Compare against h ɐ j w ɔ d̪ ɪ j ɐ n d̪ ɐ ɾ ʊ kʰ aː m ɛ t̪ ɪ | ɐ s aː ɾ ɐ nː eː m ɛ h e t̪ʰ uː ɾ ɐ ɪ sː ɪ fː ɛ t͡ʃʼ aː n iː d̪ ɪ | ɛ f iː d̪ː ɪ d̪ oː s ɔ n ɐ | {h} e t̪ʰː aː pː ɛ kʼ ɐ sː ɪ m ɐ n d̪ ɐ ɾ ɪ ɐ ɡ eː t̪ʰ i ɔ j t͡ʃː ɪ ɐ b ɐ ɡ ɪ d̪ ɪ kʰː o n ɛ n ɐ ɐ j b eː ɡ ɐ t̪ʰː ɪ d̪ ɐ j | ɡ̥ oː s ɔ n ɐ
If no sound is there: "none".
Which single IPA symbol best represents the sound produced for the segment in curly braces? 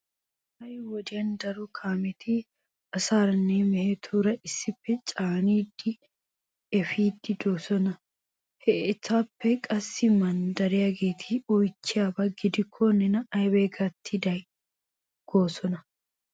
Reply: h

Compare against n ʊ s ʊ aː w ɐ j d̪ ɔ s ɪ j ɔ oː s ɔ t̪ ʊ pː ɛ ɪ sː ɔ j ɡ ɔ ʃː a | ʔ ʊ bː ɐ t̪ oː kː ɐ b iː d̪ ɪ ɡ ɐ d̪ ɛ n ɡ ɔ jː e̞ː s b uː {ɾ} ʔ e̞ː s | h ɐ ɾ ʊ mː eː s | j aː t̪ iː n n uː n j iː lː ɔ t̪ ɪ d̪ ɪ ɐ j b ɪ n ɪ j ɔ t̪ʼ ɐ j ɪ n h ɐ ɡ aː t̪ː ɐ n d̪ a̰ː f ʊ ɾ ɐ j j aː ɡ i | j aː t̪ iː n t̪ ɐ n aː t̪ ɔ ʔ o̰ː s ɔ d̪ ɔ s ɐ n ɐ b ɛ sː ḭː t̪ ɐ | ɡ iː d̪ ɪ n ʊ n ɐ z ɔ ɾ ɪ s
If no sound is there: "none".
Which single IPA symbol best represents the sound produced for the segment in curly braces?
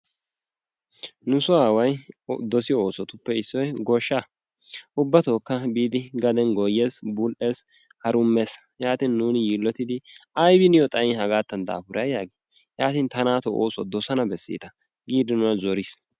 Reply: l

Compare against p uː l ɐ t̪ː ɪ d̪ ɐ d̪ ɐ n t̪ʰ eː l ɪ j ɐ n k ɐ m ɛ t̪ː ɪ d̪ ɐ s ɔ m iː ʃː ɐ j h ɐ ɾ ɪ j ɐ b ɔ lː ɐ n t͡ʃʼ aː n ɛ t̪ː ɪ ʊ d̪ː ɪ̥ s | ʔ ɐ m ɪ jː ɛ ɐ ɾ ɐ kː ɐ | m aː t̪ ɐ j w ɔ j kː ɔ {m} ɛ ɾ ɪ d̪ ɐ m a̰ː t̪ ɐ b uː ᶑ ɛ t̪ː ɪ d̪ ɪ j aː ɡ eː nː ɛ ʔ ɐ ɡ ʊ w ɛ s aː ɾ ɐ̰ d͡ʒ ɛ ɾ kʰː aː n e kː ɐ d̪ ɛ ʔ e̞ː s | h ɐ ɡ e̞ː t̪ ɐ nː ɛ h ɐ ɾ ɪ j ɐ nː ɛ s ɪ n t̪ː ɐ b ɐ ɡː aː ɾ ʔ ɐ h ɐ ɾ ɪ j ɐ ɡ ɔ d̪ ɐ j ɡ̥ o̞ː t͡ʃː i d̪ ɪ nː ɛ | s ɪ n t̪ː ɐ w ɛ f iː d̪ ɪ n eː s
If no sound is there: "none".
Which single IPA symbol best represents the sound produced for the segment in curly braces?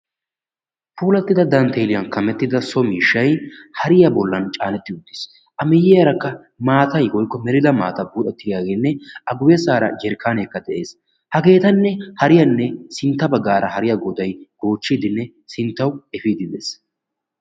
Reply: m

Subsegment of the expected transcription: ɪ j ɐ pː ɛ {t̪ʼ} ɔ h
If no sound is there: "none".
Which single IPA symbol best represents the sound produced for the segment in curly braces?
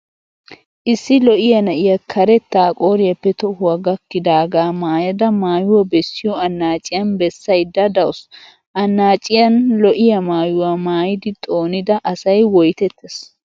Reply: t̪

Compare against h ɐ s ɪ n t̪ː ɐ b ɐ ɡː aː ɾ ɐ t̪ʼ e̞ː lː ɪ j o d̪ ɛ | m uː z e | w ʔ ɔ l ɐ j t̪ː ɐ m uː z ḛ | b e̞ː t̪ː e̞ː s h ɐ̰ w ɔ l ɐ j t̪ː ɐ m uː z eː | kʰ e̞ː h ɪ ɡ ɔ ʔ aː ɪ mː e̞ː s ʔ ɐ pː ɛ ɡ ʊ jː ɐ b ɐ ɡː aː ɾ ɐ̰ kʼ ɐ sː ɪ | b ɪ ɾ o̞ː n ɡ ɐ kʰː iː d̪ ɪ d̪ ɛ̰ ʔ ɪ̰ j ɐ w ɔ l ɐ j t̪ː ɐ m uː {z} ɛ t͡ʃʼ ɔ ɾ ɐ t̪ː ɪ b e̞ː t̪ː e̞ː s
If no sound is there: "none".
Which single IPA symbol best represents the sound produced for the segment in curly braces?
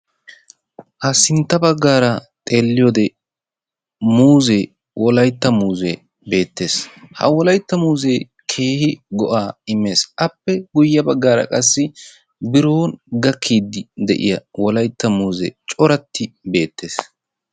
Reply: z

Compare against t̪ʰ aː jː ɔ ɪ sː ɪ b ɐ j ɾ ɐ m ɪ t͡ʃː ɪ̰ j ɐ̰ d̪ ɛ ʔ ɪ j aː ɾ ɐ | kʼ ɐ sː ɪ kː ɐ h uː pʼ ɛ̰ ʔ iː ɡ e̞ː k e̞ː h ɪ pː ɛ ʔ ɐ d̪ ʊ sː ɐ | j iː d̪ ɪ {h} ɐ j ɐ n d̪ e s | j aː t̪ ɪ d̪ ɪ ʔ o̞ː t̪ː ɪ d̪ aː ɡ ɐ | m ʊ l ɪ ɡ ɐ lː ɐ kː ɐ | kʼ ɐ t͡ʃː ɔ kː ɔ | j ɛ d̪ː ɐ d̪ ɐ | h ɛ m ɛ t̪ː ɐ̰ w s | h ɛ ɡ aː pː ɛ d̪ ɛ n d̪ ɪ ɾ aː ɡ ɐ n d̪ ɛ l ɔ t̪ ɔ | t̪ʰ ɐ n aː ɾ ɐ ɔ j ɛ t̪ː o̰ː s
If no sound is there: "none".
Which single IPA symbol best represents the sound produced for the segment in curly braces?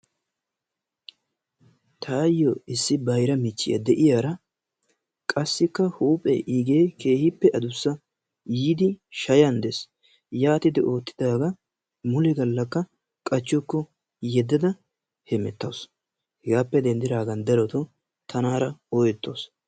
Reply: ʃ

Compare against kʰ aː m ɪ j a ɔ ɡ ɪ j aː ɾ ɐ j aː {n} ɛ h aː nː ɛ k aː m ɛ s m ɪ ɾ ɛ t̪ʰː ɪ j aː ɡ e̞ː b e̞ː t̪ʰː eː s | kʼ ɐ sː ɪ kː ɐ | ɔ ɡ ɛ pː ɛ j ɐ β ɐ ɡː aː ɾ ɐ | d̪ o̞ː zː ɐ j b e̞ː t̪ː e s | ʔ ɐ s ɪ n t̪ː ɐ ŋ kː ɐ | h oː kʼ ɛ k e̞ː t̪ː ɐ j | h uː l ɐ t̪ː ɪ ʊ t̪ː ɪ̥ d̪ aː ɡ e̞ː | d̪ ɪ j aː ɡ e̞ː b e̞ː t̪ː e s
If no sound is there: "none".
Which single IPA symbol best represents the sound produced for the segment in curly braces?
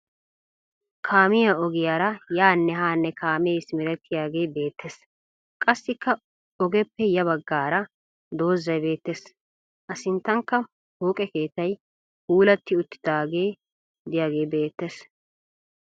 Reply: nː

